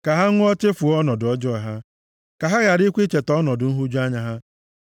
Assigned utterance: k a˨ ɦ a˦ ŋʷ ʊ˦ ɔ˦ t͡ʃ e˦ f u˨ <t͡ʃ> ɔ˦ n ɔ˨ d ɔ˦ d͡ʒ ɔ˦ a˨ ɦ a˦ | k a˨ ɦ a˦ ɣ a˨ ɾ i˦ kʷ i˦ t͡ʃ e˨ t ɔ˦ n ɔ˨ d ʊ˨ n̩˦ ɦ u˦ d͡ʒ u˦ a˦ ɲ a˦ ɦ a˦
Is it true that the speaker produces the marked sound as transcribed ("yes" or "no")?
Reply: no